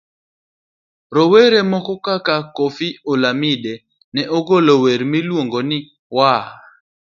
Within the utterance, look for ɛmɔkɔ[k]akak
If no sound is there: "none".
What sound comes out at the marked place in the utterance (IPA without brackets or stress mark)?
k